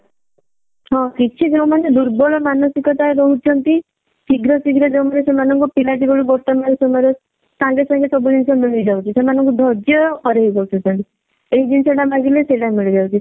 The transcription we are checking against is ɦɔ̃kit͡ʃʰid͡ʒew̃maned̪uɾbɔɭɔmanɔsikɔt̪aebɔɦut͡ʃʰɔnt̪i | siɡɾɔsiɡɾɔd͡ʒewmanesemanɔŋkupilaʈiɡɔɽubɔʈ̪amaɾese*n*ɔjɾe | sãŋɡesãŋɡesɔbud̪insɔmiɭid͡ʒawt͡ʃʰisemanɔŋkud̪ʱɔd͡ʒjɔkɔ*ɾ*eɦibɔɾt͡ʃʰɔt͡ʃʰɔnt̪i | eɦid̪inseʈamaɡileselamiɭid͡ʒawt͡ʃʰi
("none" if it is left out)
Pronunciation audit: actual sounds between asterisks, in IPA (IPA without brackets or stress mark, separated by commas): m, ɾ